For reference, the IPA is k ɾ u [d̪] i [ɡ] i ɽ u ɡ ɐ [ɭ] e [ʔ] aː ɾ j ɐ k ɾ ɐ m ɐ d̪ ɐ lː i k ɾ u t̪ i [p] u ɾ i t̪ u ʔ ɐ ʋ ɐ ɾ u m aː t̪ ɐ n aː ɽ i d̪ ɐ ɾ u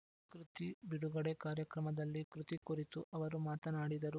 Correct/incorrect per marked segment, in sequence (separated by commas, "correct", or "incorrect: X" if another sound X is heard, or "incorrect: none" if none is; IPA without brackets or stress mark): incorrect: t̪, incorrect: b, incorrect: ɽ, incorrect: k, incorrect: k